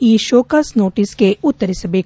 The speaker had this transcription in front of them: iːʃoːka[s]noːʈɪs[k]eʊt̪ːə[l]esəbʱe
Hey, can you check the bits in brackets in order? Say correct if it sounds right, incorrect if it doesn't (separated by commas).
correct, correct, incorrect